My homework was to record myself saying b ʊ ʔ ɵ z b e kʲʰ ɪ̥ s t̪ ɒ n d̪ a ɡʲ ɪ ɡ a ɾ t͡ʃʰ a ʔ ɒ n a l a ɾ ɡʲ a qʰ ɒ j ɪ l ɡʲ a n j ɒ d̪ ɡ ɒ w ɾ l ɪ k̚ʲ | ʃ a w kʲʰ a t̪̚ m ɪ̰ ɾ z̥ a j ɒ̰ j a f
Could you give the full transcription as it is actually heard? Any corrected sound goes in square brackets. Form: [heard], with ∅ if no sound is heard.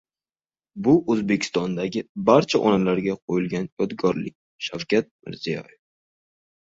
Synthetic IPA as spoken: b ʊ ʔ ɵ z b e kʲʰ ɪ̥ s t̪ ɒ n d̪ a ɡʲ ɪ [b] a ɾ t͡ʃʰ a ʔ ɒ n a l a ɾ ɡʲ a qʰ [o] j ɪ l ɡʲ a n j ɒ d̪ ɡ ɒ [∅] ɾ l ɪ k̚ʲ | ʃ a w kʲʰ a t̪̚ m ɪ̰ ɾ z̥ [i] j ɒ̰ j [e] f

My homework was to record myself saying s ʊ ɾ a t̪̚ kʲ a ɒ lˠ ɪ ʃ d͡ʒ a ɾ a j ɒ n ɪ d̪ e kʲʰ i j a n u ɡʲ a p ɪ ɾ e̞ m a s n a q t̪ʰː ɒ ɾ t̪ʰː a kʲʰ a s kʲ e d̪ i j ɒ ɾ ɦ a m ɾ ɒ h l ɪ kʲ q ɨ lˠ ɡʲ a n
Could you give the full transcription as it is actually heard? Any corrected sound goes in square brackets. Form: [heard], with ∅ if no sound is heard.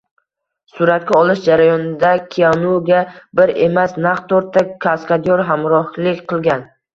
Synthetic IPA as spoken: s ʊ ɾ a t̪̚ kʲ a ɒ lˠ ɪ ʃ d͡ʒ a ɾ a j ɒ n ɪ d̪ [a] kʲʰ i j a n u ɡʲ a [b] ɪ ɾ e̞ m a s n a q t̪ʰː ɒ ɾ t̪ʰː a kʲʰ a s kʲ [a] d̪ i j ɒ ɾ ɦ a m ɾ ɒ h l ɪ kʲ q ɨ lˠ ɡʲ a n

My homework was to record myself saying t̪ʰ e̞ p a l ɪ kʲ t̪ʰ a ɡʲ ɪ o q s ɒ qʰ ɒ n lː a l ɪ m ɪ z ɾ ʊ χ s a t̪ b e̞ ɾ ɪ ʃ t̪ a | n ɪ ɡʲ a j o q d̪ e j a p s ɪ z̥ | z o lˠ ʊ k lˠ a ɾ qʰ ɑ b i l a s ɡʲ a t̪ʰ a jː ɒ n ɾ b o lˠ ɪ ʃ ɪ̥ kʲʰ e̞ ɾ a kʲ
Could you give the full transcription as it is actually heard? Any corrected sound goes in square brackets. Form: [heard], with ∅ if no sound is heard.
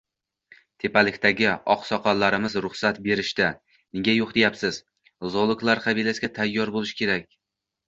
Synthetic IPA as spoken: t̪ʰ e̞ p a l ɪ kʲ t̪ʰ a ɡʲ ɪ [ɒ] q s ɒ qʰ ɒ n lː a [ɾ] ɪ m ɪ z ɾ ʊ χ s a t̪ b e̞ ɾ ɪ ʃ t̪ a | n ɪ ɡʲ a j o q d̪ e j a p s ɪ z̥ | z o lˠ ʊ k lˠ a ɾ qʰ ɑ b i l a s ɡʲ a t̪ʰ a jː ɒ [∅] ɾ b o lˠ ɪ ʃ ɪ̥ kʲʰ e̞ ɾ a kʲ

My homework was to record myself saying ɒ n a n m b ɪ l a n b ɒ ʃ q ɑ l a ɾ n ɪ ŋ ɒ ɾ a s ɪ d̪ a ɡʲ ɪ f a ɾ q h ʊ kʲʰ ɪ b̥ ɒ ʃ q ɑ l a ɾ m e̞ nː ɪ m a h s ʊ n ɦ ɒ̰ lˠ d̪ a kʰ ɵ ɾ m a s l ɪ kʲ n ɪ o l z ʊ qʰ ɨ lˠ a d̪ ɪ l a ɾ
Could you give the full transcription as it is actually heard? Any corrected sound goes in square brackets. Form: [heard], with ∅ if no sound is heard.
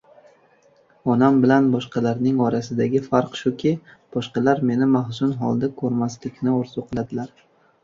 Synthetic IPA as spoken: ɒ n a [∅] m b ɪ l a n b ɒ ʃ q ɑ l a ɾ n ɪ ŋ ɒ ɾ a s ɪ d̪ a ɡʲ ɪ f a ɾ q [ʃ] ʊ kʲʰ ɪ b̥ ɒ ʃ q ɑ l a ɾ m e̞ [n] ɪ m a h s ʊ n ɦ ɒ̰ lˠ d̪ a kʰ ɵ ɾ m a s l ɪ kʲ n ɪ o [ɾ] z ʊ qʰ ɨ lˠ a d̪ ɪ l a ɾ

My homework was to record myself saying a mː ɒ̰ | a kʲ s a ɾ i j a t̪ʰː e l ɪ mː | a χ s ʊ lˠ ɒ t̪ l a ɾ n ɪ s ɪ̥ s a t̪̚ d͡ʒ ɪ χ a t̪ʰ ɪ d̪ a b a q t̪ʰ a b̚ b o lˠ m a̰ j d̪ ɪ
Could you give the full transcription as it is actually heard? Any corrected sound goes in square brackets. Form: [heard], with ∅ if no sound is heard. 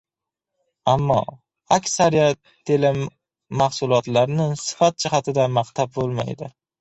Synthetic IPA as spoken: a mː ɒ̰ | a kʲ s a ɾ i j a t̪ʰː e l ɪ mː | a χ s ʊ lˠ ɒ t̪ l a ɾ n ɪ s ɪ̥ [f] a t̪̚ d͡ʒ ɪ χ a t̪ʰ ɪ d̪ a [m] a q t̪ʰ a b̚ b o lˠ m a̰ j d̪ ɪ

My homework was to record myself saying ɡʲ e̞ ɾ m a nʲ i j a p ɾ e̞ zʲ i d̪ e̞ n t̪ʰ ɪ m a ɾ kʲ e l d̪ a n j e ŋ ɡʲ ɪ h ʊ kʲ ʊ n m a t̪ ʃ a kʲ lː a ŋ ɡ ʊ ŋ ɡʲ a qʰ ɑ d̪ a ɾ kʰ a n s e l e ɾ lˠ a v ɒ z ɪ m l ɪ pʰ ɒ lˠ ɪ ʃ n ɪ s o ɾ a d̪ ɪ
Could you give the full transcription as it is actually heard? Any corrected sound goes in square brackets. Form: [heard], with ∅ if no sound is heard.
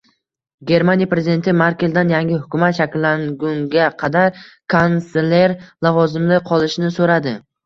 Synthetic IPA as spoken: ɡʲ e̞ ɾ m a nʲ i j a p ɾ e̞ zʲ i d̪ e̞ n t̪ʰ ɪ m a ɾ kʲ e l d̪ a n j [a] ŋ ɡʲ ɪ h ʊ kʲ ʊ [∅] m a t̪ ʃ a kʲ lː a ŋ ɡ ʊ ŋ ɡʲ a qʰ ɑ d̪ a ɾ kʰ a n s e l e ɾ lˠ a v ɒ z ɪ m l ɪ [qʰ] ɒ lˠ ɪ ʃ n ɪ s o ɾ a d̪ ɪ

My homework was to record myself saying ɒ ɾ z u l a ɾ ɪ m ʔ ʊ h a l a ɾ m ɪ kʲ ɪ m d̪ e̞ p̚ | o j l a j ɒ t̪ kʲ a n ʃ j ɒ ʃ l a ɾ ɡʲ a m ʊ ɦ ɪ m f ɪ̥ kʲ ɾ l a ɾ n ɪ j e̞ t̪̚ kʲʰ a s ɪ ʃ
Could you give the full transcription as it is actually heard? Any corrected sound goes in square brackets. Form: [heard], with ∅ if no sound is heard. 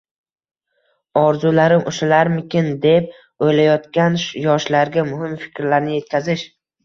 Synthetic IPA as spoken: ɒ ɾ z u l a ɾ ɪ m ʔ ʊ [ʃ] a l a ɾ m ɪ kʲ ɪ [n] d̪ e̞ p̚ | o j l a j ɒ t̪ kʲ a n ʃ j ɒ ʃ l a ɾ ɡʲ a m ʊ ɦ ɪ m f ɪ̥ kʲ ɾ l a ɾ n ɪ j e̞ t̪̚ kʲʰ a [z] ɪ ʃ

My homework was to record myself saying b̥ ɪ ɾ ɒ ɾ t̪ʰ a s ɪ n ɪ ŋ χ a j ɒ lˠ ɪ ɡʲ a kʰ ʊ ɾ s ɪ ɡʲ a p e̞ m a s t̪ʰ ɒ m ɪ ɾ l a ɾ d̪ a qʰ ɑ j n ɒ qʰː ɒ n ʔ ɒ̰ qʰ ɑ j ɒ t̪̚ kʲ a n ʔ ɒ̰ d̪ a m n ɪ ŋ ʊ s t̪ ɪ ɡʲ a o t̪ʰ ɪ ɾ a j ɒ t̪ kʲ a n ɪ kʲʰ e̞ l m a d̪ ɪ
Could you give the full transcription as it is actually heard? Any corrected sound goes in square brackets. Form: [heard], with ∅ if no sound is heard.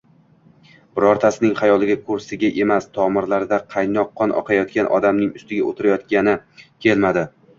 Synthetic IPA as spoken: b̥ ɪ ɾ ɒ ɾ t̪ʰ a s ɪ n ɪ ŋ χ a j ɒ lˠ ɪ ɡʲ a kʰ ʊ ɾ s ɪ ɡʲ a [ʔ] e̞ m a s t̪ʰ ɒ m ɪ ɾ l a ɾ d̪ a qʰ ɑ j n ɒ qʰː ɒ n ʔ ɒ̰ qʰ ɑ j ɒ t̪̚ kʲ a n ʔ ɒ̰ d̪ a m n ɪ ŋ ʊ s t̪ ɪ ɡʲ a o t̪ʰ ɪ ɾ a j ɒ t̪ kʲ a n ɪ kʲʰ e̞ l m a d̪ ɪ

